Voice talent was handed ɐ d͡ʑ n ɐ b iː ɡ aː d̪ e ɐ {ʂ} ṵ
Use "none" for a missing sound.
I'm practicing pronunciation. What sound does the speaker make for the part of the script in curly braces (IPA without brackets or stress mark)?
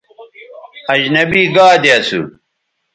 s